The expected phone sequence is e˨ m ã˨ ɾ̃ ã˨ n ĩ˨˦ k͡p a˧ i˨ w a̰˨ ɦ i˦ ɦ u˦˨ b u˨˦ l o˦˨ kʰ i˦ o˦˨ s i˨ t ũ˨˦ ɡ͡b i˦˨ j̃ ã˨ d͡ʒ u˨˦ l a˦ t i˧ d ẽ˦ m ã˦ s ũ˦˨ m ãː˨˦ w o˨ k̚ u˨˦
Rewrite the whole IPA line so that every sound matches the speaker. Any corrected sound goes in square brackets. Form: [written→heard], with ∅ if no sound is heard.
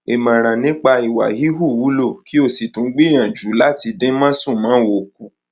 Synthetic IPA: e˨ m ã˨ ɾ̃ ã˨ n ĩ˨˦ k͡p a˧ i˨ w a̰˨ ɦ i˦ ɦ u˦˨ [b→w] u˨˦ l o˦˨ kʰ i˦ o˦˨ s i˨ t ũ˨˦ ɡ͡b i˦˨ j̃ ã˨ d͡ʒ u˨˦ l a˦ t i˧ d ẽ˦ m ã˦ s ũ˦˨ m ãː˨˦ w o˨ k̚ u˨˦